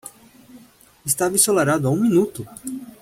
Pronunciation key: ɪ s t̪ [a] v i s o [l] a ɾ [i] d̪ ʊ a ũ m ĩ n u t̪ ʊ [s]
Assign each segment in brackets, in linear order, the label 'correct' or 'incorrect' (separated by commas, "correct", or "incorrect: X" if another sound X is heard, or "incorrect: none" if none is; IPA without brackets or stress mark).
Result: correct, correct, incorrect: a, incorrect: none